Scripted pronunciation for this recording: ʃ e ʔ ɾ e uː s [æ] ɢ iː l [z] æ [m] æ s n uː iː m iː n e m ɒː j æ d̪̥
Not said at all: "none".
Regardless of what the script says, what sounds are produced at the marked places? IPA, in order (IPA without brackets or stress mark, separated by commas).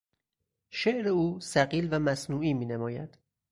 æ, v, m